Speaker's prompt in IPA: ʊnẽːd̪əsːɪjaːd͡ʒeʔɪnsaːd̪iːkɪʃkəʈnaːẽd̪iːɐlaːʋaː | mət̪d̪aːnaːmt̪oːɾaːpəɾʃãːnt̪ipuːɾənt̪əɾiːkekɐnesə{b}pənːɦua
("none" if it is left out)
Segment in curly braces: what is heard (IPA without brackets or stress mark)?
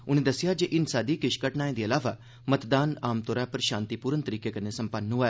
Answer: m